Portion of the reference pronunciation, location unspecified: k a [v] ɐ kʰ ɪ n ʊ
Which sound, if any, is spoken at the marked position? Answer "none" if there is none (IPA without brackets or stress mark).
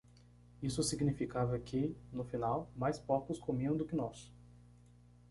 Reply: v